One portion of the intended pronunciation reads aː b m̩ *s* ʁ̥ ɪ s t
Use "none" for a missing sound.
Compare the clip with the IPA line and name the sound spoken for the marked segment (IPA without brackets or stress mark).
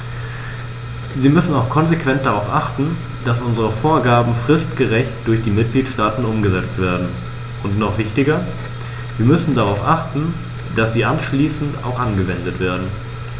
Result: f